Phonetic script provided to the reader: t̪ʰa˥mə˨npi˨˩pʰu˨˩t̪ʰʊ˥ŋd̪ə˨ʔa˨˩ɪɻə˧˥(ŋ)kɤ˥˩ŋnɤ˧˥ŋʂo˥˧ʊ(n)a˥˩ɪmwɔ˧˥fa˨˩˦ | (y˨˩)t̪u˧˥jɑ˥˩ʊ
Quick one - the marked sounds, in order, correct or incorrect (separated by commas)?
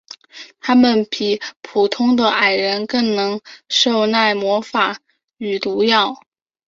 incorrect, correct, correct